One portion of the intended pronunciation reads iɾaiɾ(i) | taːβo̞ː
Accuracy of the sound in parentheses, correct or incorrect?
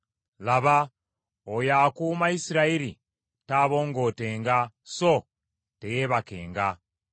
correct